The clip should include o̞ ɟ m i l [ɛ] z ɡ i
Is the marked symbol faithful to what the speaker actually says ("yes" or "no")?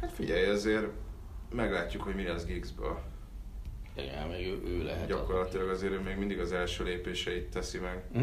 yes